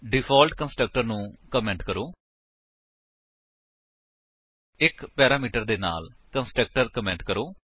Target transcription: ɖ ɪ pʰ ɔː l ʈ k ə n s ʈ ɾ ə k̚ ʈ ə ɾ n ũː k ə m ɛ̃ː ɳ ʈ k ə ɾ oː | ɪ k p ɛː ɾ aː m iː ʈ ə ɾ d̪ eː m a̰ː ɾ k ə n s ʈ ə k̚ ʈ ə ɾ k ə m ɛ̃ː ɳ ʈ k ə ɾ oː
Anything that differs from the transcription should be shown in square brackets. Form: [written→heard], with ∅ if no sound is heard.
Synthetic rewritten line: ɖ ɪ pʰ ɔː l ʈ k ə n s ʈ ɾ ə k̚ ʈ ə ɾ n ũː k ə m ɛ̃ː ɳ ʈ k ə ɾ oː | ɪ k p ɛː ɾ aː m iː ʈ ə ɾ d̪ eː [m→n] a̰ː [ɾ→l] k ə n s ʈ ə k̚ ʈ ə ɾ k ə m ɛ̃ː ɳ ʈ k ə ɾ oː